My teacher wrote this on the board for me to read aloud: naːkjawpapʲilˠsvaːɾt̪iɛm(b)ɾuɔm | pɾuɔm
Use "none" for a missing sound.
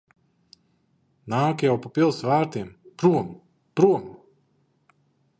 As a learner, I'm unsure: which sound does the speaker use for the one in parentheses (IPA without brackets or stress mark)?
p